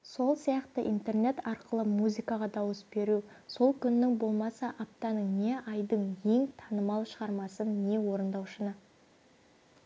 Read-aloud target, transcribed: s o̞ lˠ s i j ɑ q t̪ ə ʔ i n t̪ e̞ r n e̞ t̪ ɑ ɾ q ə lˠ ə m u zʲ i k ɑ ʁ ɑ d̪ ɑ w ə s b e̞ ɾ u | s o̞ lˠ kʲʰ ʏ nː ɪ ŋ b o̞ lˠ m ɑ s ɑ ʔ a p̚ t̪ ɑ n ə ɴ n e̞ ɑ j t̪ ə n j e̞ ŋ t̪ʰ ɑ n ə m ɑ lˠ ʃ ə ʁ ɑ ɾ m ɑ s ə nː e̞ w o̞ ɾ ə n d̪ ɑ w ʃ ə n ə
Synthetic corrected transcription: s o̞ lˠ s i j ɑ q t̪ ə ʔ i n t̪ e̞ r n e̞ t̪ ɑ ɾ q ə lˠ ə m u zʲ i k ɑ ʁ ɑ d̪ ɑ w ə s b e̞ ɾ u | s o̞ lˠ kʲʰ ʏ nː ɪ ŋ b o̞ lˠ m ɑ s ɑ ʔ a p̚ t̪ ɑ n ə ɴ n e̞ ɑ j d̪ ə ɴ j e̞ ŋ t̪ʰ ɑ n ə m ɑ lˠ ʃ ə ʁ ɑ ɾ m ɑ s ə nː e̞ w o̞ ɾ ə n d̪ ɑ w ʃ ə n ə